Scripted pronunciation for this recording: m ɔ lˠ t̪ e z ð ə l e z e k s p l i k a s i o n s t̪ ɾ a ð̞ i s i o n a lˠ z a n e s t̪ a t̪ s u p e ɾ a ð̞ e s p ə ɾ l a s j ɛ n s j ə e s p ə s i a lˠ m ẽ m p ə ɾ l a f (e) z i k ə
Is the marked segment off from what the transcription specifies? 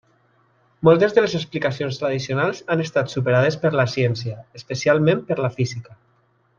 yes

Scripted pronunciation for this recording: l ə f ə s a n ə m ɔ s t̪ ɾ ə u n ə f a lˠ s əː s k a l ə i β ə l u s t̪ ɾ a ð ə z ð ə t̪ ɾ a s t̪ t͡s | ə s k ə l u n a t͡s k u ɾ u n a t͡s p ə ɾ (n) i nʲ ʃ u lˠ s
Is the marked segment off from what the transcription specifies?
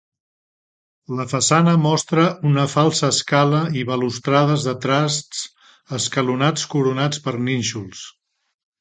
no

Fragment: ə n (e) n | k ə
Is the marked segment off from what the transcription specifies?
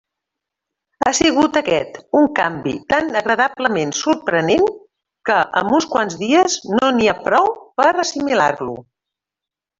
no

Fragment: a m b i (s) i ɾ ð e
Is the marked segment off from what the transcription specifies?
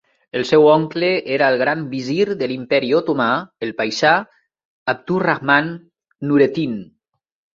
yes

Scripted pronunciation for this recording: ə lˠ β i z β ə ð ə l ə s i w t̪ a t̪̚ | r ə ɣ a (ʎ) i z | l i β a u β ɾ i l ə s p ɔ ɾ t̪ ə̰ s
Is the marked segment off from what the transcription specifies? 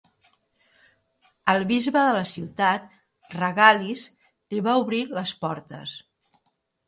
yes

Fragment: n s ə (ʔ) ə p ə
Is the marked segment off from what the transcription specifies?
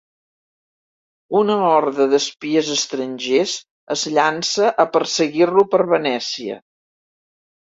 no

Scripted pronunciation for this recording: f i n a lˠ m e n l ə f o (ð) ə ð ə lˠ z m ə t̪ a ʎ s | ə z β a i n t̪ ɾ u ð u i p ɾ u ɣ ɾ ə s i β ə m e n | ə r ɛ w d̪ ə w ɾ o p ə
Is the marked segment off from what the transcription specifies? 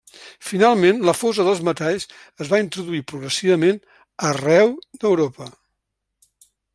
yes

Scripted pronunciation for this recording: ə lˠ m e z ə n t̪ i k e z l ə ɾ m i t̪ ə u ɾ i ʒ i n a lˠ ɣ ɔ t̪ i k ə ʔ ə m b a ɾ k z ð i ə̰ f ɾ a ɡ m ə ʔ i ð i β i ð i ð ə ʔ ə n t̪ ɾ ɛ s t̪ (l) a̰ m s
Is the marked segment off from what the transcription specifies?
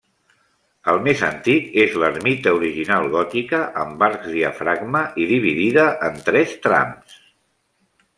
yes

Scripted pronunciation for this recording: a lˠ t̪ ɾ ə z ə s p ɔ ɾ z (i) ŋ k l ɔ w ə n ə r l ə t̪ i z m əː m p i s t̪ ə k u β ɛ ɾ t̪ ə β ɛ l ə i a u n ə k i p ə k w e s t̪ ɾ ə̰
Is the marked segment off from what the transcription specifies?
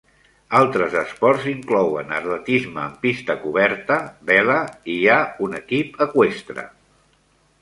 no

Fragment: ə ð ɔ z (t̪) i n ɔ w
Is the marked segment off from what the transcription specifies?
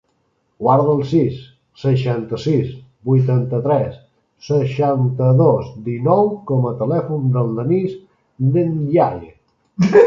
yes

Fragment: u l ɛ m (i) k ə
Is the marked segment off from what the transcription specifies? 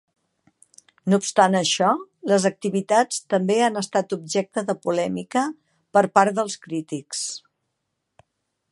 no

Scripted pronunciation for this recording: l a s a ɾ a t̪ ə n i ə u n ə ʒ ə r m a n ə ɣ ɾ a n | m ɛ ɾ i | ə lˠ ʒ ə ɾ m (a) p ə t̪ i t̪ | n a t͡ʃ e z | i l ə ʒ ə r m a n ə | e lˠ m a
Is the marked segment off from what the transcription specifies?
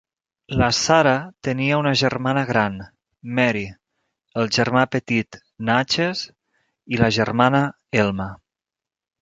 no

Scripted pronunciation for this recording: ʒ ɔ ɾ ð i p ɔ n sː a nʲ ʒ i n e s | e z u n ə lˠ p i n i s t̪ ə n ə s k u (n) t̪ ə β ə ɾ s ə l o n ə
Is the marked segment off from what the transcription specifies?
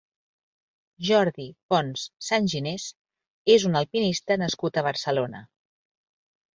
yes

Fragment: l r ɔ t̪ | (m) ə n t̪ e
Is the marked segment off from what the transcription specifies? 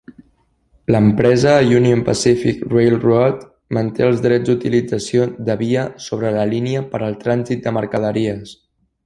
no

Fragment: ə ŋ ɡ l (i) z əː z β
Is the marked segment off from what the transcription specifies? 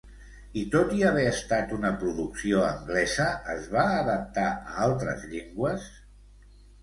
yes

